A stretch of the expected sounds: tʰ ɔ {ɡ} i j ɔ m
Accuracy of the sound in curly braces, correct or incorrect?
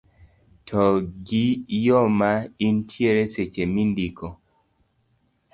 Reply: correct